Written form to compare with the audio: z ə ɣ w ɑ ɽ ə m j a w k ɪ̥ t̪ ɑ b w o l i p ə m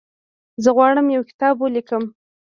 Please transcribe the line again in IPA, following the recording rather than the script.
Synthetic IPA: z ə ɣ w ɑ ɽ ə m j a w k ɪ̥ t̪ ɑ b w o l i k ə m